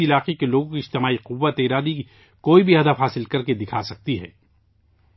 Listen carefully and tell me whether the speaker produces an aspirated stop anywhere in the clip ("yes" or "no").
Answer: yes